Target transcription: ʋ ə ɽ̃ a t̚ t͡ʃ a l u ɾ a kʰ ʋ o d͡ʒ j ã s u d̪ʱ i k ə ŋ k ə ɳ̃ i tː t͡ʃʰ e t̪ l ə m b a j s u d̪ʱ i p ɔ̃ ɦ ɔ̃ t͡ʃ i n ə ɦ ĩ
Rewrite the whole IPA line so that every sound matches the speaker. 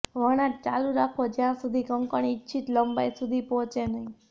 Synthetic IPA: ʋ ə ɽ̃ a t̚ t͡ʃ a l u ɾ a kʰ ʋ o d͡ʒ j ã s u d̪ʱ i k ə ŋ k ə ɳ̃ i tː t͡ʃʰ i t̪ l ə m b a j s u d̪ʱ i p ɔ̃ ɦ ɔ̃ t͡ʃ e n ə ɦ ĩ